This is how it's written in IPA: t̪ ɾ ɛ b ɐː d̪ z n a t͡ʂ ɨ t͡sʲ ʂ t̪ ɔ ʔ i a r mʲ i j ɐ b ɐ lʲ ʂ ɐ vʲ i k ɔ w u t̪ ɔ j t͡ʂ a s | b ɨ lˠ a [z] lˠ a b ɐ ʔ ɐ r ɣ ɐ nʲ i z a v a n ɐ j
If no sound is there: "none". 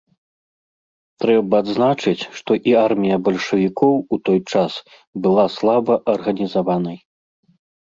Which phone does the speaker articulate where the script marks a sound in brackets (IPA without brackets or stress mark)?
s